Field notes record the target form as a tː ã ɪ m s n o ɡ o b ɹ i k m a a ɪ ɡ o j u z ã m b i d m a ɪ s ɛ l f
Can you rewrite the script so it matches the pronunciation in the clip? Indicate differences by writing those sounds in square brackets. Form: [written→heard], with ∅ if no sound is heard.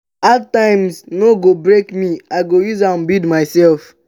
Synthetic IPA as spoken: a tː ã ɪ m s n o ɡ o b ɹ [i→e] k m [a→i] a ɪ ɡ o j u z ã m b i d m a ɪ s ɛ l f